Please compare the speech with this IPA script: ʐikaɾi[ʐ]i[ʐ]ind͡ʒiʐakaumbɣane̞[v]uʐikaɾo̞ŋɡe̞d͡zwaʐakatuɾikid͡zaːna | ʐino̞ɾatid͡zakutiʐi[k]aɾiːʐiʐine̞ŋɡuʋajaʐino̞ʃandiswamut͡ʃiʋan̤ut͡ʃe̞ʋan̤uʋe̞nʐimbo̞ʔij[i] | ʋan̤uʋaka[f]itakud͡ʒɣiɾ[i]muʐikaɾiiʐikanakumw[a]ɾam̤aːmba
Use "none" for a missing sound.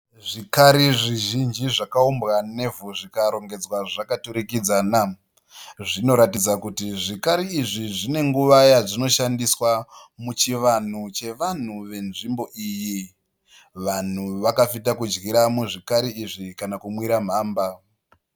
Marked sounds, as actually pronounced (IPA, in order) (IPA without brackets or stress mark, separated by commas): ʐ, ʒ, v, k, i, f, a, i